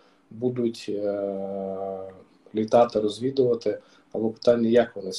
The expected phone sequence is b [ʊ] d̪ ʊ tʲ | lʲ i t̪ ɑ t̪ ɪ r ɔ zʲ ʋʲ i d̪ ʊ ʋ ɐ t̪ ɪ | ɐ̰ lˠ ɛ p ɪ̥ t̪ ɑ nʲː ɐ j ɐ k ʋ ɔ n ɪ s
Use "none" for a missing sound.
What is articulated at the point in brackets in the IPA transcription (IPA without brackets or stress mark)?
u